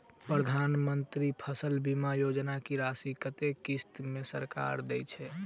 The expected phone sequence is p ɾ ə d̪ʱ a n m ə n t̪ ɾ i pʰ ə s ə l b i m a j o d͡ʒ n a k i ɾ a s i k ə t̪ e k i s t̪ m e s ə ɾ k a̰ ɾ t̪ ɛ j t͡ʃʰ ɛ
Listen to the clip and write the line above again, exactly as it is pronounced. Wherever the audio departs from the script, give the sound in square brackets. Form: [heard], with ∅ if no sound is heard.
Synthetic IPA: p ɾ ə d̪ʱ a n m ə n t̪ ɾ i pʰ ə s ə l b i m a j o d͡ʒ n a k i ɾ a s i k ə t̪ e k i s t̪ m e s ə ɾ k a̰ ɾ [d̪] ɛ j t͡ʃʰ ɛ

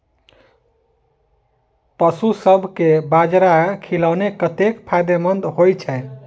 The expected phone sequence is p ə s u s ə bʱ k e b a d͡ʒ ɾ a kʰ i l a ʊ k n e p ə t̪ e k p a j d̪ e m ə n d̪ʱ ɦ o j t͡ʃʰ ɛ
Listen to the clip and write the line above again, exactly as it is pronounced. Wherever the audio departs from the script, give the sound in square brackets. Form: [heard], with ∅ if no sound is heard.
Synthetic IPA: p ə s u s ə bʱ k e b a d͡ʒ ɾ a kʰ i l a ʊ [∅] n e [k] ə t̪ e k [pʰ] a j d̪ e m ə n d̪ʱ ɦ o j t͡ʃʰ ɛ

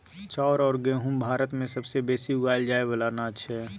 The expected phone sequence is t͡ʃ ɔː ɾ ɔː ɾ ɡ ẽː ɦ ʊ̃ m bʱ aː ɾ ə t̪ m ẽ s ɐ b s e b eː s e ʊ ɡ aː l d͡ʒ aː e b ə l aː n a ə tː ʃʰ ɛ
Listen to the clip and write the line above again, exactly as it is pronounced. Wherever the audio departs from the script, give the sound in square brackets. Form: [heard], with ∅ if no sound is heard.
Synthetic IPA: t͡ʃ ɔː ɾ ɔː ɾ ɡ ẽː ɦ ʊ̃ m bʱ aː ɾ ə t̪ m ẽ s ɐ b s e b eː s [i] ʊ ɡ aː l d͡ʒ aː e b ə l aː n a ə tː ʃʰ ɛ

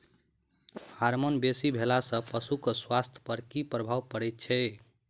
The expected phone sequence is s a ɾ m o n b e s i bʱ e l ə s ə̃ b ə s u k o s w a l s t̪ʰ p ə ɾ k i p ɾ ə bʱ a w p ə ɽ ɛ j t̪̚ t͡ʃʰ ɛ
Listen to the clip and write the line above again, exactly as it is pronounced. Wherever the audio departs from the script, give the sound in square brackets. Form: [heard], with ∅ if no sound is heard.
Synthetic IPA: [h] a ɾ m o n b e s i bʱ e l [a] s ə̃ [p] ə s u k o s w a [∅] s t̪ʰ p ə ɾ k i p ɾ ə bʱ a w p ə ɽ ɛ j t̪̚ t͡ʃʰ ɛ

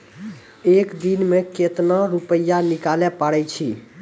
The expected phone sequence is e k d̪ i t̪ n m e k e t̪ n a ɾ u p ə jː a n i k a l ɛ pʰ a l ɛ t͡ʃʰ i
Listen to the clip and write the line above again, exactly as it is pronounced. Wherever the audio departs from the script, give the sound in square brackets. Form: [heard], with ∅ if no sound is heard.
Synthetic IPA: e k d̪ i [∅] n m e k e t̪ n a ɾ u p ə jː a n i k a l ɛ [p] a [ɽ] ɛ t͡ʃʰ i

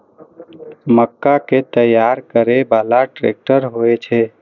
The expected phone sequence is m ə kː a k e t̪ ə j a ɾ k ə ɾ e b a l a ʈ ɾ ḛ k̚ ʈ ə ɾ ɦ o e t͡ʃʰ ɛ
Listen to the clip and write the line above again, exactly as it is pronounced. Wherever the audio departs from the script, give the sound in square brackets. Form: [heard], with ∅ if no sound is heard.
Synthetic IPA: m ə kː a k e t̪ ə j a ɾ k ə ɾ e b a l a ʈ ɾ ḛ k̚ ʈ ə ɾ ɦ o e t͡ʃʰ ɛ

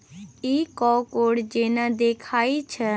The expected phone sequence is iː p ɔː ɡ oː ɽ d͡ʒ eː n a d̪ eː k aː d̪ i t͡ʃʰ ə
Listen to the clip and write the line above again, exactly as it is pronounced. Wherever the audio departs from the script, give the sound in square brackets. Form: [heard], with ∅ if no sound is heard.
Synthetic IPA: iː [k] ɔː [k] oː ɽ d͡ʒ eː n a d̪ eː [kʰ] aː [∅] i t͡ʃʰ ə

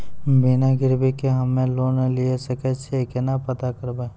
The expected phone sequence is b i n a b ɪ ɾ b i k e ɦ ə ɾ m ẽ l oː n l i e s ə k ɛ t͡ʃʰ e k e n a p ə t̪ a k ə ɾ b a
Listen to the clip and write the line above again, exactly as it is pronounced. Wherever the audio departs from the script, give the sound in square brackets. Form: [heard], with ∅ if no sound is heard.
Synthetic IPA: b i n a [ɡ] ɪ ɾ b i k e ɦ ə [∅] m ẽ l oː n l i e s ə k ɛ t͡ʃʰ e k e n a p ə t̪ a k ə ɾ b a

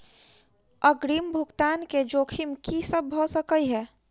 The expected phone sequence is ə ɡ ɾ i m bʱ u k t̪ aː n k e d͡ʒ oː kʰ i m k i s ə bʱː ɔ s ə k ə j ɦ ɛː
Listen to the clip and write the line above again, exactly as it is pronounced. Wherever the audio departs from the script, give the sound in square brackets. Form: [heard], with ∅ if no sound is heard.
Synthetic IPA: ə ɡ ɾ i m bʱ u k t̪ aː n k e d͡ʒ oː kʰ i m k i s ə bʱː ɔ s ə k ə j ɦ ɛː

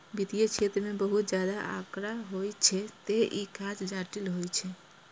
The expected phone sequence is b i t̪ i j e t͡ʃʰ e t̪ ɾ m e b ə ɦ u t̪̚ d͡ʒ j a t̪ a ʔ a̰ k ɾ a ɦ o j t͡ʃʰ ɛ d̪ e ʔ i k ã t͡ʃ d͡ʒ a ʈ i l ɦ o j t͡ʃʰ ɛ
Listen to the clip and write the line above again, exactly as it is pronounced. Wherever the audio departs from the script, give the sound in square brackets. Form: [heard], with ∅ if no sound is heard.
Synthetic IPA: b i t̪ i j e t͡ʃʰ e t̪ ɾ m e b ə ɦ u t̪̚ d͡ʒ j a [d̪] a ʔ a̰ k ɾ a ɦ o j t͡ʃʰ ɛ [t̪] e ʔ i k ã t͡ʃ d͡ʒ a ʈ i l ɦ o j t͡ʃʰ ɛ

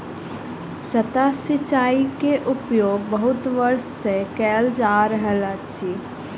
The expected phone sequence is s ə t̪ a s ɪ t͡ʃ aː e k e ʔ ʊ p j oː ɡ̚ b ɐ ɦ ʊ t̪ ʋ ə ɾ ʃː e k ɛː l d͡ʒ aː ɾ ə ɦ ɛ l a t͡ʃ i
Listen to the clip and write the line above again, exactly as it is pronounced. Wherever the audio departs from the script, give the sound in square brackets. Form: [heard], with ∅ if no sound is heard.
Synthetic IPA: s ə t̪ a s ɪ t͡ʃ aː [i] k e ʔ ʊ p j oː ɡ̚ b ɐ ɦ ʊ t̪ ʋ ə ɾ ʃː e k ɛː l d͡ʒ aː ɾ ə ɦ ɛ l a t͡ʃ i

